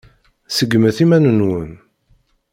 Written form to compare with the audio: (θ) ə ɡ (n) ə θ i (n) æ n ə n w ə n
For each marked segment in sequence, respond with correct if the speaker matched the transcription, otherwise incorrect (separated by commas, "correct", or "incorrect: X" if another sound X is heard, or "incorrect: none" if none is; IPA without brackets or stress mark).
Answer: incorrect: s, incorrect: m, incorrect: m